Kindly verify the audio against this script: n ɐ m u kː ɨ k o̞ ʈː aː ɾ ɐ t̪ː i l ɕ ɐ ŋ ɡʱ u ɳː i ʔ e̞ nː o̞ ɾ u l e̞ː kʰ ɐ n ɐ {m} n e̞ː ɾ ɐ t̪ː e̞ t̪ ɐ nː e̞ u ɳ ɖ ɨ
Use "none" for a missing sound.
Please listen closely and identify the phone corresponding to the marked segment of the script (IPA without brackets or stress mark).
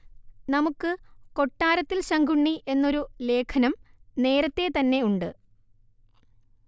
m